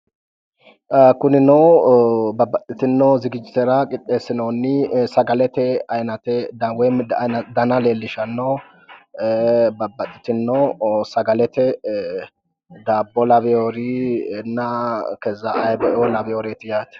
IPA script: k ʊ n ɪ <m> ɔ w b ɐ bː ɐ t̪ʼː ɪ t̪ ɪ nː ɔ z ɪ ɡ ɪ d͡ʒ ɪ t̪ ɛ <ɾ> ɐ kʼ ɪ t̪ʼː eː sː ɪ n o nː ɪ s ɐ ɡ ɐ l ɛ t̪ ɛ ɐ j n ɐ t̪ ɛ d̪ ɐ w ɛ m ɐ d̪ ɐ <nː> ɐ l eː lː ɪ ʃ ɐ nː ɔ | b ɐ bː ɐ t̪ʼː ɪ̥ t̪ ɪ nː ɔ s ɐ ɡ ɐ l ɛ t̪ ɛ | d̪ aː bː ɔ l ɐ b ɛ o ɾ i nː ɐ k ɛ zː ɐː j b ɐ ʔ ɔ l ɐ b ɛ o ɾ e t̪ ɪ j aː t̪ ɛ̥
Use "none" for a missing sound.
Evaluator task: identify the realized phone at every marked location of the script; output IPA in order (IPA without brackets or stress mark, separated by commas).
n, ɾ, n